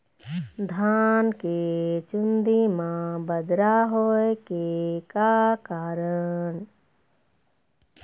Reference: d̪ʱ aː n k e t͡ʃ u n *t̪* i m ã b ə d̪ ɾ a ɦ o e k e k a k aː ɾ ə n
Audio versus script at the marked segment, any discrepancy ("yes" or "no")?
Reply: yes